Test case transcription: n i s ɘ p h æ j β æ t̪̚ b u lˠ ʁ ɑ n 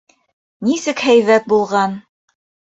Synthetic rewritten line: n i s ɘ k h æ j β æ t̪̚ b u lˠ ʁ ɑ n

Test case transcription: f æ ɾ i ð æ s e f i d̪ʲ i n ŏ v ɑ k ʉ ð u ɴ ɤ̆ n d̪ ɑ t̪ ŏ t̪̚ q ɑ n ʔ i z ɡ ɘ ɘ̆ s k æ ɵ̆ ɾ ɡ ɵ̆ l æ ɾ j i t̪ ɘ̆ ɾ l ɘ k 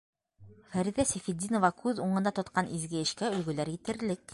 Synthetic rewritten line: f æ ɾ i ð æ s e f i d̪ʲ i n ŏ v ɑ k ʉ ð u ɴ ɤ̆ n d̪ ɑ t̪ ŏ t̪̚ q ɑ n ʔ i z ɡ ɘ ɘ̆ ʃ k æ ɵ̆ l ɡ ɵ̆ l æ ɾ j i t̪ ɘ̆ ɾ l ɘ k

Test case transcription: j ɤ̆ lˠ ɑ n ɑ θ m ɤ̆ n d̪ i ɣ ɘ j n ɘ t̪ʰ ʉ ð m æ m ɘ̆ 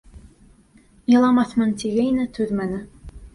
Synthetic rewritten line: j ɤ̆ lˠ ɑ m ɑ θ m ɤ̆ n t̪ i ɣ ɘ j n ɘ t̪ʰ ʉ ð m æ n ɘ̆

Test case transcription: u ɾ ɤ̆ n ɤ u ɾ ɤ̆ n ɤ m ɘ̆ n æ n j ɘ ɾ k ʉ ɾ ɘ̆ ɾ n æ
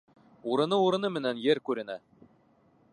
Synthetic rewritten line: u ɾ ɤ̆ n ɤ u ɾ ɤ̆ n ɤ m ɘ̆ n æ n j ɘ ɾ k ʉ ɾ ɘ̆ n æ

